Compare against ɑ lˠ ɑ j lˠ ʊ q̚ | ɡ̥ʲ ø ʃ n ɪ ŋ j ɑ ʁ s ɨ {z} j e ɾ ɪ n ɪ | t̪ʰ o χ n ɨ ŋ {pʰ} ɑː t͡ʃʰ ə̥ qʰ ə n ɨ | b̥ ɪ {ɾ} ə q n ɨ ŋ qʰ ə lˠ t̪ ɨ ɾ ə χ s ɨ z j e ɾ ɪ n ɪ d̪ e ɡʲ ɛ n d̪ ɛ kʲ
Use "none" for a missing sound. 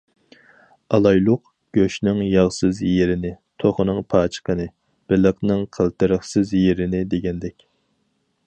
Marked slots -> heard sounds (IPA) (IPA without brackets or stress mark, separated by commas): z, pʰ, l